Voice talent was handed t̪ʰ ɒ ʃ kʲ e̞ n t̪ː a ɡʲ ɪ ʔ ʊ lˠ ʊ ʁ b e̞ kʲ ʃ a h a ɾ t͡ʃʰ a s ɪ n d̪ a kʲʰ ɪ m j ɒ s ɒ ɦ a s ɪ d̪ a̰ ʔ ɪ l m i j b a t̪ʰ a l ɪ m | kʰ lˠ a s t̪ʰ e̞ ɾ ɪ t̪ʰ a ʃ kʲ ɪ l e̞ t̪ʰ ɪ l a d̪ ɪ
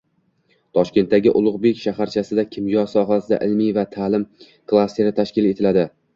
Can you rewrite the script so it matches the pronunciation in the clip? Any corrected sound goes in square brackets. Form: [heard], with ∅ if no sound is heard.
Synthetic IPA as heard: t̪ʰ ɒ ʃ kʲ e̞ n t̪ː a ɡʲ ɪ ʔ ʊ lˠ ʊ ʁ b e̞ kʲ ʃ a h a ɾ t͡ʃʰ a s ɪ [∅] d̪ a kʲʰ ɪ m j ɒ s ɒ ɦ a s ɪ d̪ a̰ ʔ ɪ l m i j [v] a t̪ʰ a l ɪ m | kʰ lˠ a s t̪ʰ e̞ ɾ ɪ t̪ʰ a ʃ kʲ ɪ l e̞ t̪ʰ ɪ l a d̪ ɪ